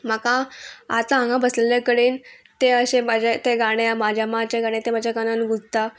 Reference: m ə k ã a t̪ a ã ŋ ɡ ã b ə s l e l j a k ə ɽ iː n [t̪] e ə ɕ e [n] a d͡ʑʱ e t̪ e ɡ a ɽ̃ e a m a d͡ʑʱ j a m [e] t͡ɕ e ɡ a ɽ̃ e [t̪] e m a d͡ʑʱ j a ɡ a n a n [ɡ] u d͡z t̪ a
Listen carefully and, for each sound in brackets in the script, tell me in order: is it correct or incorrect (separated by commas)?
correct, incorrect, incorrect, correct, correct